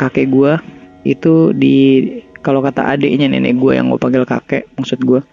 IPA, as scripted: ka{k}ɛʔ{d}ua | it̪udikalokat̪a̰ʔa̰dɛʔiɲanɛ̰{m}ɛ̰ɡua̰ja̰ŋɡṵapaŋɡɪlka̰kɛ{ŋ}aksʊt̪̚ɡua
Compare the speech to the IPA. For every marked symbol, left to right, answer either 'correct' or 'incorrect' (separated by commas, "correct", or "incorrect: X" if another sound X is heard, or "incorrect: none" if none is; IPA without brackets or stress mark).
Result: correct, incorrect: ɡ, incorrect: n, incorrect: m